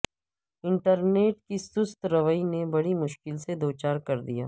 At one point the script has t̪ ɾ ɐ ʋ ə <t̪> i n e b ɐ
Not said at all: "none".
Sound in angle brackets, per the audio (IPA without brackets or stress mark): none